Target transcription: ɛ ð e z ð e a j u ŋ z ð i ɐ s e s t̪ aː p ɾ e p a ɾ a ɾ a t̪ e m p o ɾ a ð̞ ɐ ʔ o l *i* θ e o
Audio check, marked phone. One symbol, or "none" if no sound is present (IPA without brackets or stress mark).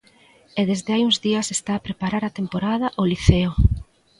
i